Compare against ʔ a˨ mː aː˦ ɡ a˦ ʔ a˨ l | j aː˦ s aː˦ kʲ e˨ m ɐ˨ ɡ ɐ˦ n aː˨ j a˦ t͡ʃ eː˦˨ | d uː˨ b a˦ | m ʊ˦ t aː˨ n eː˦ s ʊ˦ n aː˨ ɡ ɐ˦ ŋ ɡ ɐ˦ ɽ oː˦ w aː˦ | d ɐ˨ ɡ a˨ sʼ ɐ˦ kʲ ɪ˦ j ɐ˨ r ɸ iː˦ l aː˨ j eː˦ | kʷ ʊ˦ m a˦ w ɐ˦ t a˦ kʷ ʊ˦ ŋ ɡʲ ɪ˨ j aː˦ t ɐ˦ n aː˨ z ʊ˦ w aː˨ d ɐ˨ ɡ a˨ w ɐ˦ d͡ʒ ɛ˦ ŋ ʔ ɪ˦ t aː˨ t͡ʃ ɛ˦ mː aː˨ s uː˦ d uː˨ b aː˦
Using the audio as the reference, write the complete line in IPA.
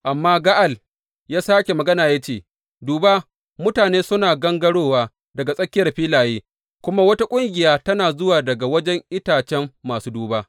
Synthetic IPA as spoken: ʔ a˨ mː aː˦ ɡ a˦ ʔ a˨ l | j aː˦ s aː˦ kʲ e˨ m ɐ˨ ɡ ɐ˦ n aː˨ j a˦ t͡ʃ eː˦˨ | d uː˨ b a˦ | m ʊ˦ t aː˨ n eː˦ s ʊ˦ n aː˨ ɡ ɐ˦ ŋ ɡ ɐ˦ ɽ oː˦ w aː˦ | d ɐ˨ ɡ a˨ sʼ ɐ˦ kʲ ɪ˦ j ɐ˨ r ɸ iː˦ l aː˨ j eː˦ | kʷ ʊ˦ m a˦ w ɐ˦ t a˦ kʷʼ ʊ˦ ŋ ɡʲ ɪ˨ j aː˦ t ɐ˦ n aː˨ z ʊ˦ w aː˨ d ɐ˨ ɡ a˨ w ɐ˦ d͡ʒ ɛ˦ ŋ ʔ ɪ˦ t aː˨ t͡ʃ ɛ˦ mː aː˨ s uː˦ d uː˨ b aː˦